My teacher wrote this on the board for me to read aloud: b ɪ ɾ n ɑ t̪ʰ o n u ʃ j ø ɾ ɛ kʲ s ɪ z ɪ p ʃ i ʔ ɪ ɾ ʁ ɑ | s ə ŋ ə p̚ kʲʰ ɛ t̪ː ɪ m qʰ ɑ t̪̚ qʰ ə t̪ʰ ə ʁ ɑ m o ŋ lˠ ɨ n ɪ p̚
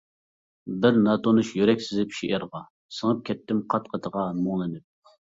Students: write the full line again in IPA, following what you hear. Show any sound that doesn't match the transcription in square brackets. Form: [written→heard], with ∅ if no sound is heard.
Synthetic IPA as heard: b ɪ ɾ n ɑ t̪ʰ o n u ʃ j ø ɾ ɛ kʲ s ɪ z ɪ p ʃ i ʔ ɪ ɾ ʁ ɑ | s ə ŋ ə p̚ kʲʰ ɛ t̪ː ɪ m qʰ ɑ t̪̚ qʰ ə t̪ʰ ə ʁ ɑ m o ŋ lˠ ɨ n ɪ p̚